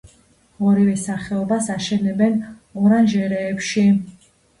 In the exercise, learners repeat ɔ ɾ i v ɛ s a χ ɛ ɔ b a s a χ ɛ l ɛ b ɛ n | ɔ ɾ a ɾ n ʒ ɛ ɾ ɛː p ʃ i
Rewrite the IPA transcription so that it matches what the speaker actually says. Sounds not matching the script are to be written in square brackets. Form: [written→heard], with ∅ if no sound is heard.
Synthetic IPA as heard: ɔ ɾ i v ɛ s a χ ɛ ɔ b a s a [χ→ʃ] ɛ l ɛ b ɛ n | ɔ ɾ a [ɾ→∅] n ʒ ɛ ɾ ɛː p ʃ i